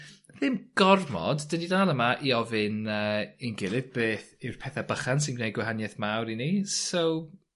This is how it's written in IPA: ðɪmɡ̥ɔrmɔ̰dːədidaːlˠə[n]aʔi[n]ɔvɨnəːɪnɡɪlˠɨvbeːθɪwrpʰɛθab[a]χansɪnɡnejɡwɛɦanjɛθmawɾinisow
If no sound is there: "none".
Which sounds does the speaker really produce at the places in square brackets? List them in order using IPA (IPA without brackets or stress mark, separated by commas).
m, none, ə